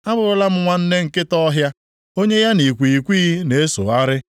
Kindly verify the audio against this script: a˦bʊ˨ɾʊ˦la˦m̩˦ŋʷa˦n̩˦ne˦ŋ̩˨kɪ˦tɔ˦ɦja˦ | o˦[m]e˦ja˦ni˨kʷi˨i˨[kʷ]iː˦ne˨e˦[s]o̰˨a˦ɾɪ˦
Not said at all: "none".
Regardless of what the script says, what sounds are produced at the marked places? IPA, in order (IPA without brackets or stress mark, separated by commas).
ɲ, kʷ, s